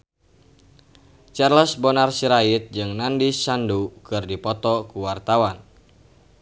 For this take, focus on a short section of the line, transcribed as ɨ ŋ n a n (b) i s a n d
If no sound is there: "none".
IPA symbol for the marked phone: d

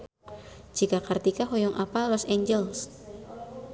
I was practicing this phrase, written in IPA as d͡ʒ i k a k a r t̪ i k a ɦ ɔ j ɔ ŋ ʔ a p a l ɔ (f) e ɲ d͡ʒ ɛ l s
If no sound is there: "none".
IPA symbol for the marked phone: s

